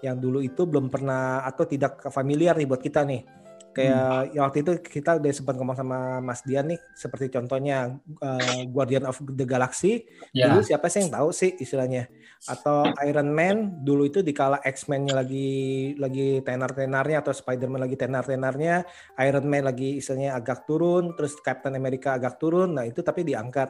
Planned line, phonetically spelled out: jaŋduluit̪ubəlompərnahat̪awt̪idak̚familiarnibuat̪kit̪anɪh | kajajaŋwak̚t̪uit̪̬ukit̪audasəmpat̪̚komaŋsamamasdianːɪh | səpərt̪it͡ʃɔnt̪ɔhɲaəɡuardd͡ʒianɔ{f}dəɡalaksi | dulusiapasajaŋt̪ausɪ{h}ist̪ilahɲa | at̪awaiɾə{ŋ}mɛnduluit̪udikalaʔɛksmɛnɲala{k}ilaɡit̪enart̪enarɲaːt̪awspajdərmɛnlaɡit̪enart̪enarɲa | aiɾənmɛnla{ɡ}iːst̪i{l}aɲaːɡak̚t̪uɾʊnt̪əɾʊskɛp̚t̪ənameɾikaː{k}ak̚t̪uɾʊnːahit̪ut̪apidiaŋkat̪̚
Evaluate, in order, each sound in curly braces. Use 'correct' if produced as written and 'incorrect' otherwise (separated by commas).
correct, correct, incorrect, incorrect, correct, correct, incorrect